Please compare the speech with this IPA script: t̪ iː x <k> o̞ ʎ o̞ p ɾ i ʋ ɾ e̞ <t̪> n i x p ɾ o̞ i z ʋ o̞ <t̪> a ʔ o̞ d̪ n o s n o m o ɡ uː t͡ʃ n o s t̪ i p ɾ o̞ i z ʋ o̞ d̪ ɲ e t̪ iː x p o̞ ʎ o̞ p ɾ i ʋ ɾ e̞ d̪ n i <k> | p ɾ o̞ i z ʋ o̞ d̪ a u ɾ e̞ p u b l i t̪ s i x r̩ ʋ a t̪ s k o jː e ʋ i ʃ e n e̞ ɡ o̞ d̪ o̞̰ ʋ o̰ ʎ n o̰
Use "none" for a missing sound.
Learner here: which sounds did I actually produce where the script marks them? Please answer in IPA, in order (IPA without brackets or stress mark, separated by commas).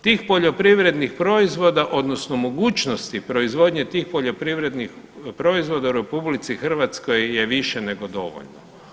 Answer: p, d̪, d̪, x